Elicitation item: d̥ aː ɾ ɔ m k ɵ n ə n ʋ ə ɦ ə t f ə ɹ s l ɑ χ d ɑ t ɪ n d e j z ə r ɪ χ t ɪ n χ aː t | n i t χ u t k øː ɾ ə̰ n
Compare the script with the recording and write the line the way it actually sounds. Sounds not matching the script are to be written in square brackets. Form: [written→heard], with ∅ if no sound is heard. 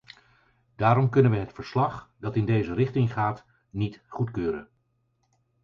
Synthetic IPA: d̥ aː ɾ ɔ m k ɵ n ə n ʋ ə ɦ ə t f ə ɹ s l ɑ χ d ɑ t ɪ n d e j z ə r ɪ χ t ɪ [n→ŋ] χ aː t | n i t χ u t k øː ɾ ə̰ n